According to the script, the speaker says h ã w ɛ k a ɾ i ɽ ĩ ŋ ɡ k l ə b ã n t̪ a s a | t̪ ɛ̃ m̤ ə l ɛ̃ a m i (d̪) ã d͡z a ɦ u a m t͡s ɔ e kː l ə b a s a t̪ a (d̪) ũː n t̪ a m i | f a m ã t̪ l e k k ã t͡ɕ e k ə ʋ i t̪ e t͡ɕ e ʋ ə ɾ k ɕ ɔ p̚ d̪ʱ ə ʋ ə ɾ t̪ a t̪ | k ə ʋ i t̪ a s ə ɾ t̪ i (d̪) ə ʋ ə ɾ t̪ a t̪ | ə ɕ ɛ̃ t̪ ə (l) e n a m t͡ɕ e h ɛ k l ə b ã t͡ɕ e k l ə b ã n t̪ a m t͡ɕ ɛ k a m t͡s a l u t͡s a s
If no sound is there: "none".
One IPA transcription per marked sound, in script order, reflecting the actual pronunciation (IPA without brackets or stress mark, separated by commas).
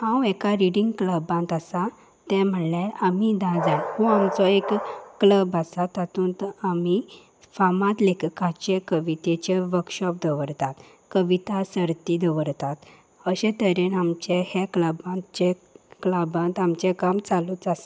d̪, t̪, d̪, ɾ